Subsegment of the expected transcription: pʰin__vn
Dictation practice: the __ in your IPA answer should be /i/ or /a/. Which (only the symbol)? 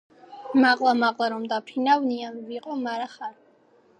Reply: a